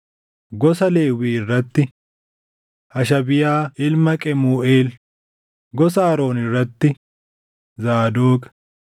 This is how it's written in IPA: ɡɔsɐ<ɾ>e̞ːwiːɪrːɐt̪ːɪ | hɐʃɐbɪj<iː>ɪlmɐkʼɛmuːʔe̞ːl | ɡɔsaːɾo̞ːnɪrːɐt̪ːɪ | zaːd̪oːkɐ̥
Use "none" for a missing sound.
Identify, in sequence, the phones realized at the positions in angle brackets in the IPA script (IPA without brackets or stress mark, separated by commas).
l, aː